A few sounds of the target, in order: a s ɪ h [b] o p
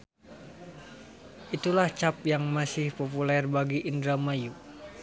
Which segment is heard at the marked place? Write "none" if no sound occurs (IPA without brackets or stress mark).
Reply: p